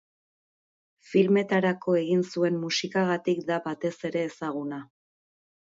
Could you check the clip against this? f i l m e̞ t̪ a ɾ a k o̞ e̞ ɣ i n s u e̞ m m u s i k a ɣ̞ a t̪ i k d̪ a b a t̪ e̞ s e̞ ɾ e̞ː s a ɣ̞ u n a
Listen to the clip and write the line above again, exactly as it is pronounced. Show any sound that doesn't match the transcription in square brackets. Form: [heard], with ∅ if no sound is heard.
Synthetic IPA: f i l m e̞ t̪ a ɾ a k o̞ e̞ ɣ i n s u e̞ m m u s i k a ɣ̞ a t̪ i k d̪ a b a t̪ e̞ s e̞ ɾ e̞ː s a ɣ̞ u n a